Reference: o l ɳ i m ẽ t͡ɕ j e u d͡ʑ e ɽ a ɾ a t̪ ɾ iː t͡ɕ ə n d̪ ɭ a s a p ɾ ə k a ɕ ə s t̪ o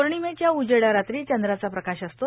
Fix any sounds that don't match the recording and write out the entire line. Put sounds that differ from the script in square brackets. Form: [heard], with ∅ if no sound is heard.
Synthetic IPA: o [ɾ] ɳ i m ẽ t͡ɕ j [a] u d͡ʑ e ɽ a ɾ a t̪ ɾ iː t͡ɕ ə n d̪ [ɾ] a [t͡s] a p ɾ ə k a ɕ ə s t̪ o